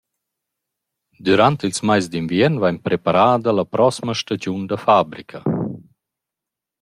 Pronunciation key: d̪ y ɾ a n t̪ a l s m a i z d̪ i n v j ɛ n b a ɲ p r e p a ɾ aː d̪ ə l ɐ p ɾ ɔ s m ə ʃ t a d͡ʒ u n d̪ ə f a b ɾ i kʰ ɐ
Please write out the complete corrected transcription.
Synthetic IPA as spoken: d̪ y ɾ a n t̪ i l s m a j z d̪ i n v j ɛ n v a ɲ p ɾ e p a ɾ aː d̪ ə l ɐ p ɾ ɔ s m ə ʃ t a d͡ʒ u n d̪ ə f a b ɾ i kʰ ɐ